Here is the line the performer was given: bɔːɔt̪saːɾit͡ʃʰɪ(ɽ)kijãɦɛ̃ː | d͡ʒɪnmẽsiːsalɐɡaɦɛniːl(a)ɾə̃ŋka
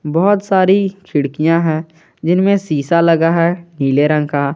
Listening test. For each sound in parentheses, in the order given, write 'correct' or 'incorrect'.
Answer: correct, incorrect: e

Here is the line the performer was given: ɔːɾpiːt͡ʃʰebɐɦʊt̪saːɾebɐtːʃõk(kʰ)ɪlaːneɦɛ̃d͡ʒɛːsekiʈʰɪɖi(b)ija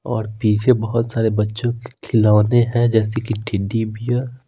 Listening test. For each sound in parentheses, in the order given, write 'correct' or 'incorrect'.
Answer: correct, correct

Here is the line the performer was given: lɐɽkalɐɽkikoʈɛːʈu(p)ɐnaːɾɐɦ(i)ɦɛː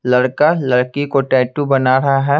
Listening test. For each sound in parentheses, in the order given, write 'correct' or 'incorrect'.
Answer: incorrect: b, incorrect: a

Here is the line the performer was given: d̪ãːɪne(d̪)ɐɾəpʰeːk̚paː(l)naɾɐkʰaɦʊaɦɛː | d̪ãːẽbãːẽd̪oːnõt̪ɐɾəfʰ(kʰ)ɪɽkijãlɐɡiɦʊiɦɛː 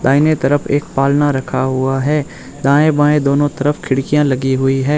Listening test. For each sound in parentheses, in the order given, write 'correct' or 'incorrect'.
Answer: incorrect: t̪, correct, correct

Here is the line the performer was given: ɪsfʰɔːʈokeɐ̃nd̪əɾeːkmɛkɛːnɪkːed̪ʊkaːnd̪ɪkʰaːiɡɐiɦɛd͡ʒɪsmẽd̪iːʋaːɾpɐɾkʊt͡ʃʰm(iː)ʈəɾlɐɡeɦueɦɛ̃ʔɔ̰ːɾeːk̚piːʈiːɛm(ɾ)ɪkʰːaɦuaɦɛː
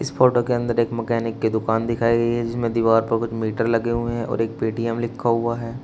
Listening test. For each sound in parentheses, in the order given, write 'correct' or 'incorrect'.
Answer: correct, incorrect: l

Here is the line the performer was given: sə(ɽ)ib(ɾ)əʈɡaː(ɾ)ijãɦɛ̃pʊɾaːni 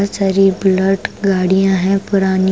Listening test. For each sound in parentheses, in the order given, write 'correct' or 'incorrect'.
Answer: incorrect: ɾ, incorrect: l, incorrect: ɽ

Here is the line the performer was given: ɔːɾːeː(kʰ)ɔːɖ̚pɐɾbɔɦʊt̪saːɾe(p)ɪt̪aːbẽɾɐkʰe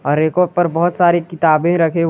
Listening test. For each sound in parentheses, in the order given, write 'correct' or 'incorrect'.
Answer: incorrect: k, incorrect: k

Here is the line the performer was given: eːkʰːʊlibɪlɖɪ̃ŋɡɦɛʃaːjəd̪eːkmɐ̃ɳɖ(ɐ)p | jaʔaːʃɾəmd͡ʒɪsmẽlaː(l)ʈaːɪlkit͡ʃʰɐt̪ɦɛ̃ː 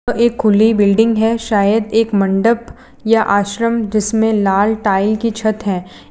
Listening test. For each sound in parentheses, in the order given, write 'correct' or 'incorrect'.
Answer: incorrect: ə, correct

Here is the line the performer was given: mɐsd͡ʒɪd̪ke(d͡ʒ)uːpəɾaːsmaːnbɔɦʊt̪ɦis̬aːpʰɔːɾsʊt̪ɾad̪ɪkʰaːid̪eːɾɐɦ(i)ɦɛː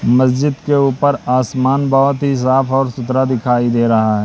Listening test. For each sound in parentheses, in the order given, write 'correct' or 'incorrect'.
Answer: incorrect: none, incorrect: a

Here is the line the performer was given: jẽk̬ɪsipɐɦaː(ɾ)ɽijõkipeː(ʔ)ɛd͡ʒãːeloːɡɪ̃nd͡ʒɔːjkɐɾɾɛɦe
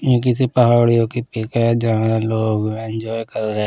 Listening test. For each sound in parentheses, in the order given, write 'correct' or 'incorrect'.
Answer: incorrect: none, incorrect: k

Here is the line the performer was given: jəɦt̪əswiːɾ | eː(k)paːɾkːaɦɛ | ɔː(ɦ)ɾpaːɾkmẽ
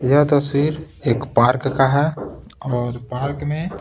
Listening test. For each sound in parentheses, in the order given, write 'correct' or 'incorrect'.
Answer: correct, incorrect: none

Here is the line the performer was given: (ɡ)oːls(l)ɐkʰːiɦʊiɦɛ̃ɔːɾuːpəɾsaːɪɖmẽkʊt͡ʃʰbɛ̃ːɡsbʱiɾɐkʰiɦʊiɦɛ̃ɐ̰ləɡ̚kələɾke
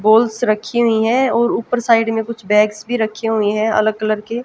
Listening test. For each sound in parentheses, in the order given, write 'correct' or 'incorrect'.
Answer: incorrect: b, incorrect: ɾ

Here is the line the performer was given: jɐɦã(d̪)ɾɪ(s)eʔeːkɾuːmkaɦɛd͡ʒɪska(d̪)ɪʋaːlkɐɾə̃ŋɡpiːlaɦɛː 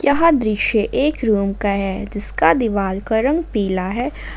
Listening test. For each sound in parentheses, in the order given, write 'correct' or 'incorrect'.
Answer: correct, incorrect: ʃ, correct

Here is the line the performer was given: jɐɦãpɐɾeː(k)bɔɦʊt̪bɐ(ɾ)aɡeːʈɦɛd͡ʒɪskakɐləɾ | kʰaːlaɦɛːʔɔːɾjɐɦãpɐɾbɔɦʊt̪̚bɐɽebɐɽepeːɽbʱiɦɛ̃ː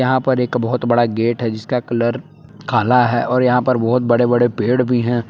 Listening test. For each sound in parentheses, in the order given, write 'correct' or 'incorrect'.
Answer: correct, incorrect: ɽ

